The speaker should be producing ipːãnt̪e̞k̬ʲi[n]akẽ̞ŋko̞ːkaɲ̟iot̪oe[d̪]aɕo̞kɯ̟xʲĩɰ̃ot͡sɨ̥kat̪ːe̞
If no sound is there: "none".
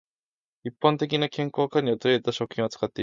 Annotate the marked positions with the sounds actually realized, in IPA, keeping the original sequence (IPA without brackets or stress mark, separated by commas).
n, t̪